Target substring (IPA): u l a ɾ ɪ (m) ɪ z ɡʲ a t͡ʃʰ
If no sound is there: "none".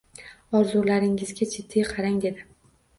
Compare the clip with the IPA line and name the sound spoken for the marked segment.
ŋ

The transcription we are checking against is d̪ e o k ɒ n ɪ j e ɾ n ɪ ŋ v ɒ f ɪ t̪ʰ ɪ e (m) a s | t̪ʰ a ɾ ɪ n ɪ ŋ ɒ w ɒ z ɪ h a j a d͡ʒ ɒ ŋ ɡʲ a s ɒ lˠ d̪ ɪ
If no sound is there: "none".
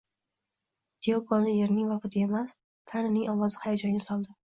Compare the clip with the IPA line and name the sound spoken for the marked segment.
m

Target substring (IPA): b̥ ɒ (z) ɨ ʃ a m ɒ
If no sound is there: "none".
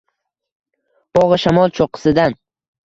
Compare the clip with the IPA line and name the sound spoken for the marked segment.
ʁ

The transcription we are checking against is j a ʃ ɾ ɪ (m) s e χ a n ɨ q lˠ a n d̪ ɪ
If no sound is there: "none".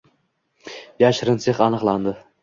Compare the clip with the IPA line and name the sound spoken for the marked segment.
n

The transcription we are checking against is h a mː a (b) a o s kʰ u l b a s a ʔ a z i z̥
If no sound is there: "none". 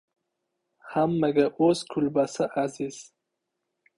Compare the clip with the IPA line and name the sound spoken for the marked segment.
ɡ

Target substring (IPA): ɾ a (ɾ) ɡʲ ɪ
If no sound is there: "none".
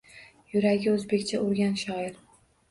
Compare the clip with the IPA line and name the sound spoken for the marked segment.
none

